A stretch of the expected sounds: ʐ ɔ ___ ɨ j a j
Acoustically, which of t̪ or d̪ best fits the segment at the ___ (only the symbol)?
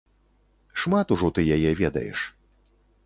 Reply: t̪